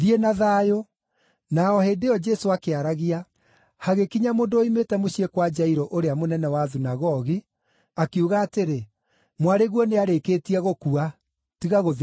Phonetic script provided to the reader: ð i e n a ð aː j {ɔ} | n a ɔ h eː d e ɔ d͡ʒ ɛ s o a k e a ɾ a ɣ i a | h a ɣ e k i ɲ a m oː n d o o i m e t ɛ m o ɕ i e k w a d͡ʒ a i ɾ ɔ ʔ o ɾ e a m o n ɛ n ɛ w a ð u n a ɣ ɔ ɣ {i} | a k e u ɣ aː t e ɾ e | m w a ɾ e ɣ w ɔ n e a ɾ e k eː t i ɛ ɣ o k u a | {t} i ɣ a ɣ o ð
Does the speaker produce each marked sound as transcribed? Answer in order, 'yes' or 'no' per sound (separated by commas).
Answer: no, yes, yes